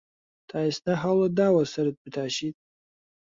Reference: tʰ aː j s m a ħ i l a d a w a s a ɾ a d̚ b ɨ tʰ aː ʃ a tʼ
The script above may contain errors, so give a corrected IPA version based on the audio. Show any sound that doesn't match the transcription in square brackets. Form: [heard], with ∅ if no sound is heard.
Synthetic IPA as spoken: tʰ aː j s [n] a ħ [a] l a d a w a s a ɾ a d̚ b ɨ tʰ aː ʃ [i] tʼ